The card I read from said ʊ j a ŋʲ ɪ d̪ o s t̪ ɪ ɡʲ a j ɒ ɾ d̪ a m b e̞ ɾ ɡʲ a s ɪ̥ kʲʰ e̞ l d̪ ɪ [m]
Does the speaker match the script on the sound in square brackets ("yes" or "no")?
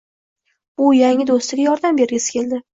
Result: no